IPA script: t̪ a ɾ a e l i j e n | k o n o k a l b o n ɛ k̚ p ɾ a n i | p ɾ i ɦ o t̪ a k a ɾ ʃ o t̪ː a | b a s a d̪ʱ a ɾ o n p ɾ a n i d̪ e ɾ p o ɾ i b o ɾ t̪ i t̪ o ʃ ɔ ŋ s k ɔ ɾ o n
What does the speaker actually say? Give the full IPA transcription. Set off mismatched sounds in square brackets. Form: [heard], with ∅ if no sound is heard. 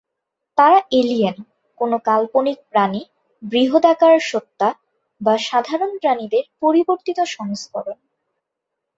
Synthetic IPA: t̪ a ɾ a e l i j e n | k o n o k a l [p] o n [i] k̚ p ɾ a n i | [b] ɾ i ɦ o [d̪] a k a ɾ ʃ o t̪ː a | b a [ʃ] a d̪ʱ a ɾ o n p ɾ a n i d̪ e ɾ p o ɾ i b o ɾ t̪ i t̪ o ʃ ɔ ŋ s k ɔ ɾ o n